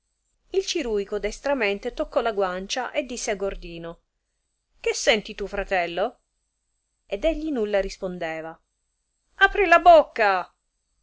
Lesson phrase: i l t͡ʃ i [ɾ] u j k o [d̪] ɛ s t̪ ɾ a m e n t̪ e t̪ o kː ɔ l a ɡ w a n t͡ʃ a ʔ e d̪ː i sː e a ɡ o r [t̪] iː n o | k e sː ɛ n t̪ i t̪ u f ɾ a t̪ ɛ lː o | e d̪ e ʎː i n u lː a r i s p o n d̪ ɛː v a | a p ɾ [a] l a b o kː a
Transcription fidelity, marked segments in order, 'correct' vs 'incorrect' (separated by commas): correct, correct, incorrect, incorrect